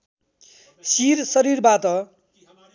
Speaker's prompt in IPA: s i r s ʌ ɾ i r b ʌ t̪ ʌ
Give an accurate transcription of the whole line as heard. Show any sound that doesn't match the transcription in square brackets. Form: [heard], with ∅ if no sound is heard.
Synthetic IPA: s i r s ʌ ɾ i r b [a] t̪ ʌ